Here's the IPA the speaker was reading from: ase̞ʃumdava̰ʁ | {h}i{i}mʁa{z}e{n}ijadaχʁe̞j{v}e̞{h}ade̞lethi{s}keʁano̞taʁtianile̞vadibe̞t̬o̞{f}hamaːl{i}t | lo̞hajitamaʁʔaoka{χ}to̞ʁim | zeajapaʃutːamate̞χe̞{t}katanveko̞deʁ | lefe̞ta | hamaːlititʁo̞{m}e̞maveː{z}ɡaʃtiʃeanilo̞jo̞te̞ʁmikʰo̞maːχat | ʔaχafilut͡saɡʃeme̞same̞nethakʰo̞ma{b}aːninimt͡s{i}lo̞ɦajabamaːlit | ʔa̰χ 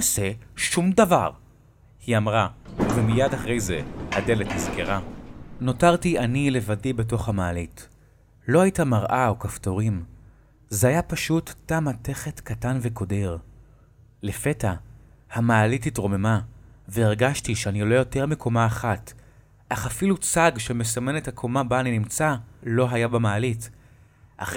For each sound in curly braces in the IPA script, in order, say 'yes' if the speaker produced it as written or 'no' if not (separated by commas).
yes, no, no, no, no, yes, no, no, yes, no, yes, yes, no, yes, no